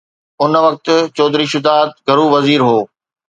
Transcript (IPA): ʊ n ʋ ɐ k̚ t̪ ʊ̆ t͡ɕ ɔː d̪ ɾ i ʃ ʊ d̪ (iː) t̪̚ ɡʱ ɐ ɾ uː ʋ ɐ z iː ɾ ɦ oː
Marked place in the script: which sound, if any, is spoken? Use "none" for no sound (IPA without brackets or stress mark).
aː